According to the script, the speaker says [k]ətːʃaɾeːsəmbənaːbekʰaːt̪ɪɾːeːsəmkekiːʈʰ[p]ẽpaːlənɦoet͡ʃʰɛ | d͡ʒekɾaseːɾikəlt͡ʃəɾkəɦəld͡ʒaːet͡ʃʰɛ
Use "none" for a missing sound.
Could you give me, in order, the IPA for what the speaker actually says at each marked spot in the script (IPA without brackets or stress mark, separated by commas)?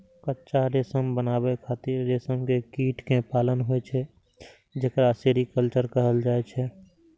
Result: k, k